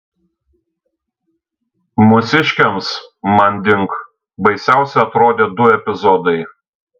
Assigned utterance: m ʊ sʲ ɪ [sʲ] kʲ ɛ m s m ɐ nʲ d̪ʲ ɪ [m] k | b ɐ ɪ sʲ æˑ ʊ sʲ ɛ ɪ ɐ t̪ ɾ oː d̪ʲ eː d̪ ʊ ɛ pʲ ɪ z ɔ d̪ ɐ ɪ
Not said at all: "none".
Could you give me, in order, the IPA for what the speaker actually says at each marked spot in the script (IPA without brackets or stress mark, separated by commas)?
ʃʲ, ŋ